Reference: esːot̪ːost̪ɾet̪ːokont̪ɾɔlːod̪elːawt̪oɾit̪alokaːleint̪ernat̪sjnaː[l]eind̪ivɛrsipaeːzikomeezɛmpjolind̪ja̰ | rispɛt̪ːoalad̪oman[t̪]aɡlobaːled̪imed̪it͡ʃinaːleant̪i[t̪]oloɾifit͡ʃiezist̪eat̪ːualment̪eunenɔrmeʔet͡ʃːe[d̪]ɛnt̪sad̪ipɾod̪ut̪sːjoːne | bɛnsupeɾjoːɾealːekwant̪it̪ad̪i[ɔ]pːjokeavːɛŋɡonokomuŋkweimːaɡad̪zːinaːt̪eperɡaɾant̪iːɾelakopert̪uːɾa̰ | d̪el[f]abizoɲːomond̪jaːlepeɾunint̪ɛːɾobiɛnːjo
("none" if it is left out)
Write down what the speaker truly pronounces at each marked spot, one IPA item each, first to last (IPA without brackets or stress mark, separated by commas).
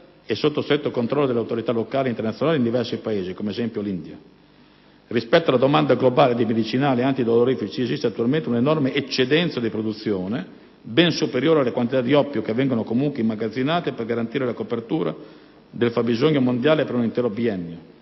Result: l, d̪, d̪, d̪, ɔ, f